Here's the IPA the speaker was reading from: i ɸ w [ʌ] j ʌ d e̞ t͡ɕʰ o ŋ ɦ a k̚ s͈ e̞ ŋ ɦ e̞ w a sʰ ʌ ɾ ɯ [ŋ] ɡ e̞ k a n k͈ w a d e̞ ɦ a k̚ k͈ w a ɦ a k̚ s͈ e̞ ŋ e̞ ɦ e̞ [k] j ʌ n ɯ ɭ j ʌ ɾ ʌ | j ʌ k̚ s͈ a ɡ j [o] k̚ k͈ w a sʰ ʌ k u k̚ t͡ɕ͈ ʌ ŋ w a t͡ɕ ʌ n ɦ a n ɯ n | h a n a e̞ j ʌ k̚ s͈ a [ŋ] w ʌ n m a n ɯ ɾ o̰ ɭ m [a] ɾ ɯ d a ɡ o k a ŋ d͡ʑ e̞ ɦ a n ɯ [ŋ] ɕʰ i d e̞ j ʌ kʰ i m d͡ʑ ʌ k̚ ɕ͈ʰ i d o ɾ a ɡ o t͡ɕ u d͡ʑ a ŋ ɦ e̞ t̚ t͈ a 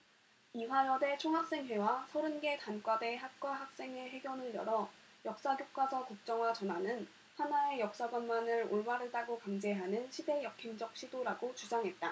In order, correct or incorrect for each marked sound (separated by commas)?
incorrect, incorrect, incorrect, correct, incorrect, correct, incorrect